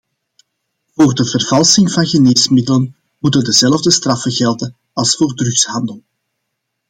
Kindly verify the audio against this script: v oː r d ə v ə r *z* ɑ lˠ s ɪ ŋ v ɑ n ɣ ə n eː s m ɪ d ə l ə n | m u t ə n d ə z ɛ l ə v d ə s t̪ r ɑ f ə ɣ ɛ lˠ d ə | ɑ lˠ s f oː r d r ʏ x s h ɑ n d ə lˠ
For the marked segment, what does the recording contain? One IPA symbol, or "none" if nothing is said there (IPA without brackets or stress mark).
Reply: v